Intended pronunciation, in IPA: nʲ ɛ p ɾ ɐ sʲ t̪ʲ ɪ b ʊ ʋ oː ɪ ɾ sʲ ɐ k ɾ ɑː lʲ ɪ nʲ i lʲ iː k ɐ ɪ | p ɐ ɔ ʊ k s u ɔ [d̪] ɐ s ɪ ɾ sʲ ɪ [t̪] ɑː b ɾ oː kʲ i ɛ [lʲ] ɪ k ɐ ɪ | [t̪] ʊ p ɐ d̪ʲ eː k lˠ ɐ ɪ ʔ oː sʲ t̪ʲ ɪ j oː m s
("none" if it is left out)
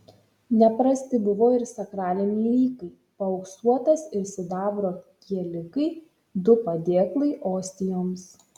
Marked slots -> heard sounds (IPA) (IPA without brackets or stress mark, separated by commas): t̪, d̪, lʲ, d̪